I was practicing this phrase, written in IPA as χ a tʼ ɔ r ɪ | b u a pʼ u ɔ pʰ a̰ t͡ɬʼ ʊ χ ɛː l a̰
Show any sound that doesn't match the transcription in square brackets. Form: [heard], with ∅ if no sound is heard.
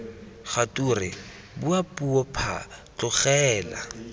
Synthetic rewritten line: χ a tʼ [u] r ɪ | b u a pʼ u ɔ pʰ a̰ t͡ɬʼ ʊ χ ɛː l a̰